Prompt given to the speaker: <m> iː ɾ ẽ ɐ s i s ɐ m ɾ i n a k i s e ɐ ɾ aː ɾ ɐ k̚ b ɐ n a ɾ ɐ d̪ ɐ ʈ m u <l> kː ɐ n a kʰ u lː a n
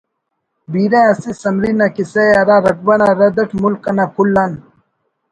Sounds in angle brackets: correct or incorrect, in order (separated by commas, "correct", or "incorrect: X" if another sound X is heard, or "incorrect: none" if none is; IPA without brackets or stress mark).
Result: incorrect: b, correct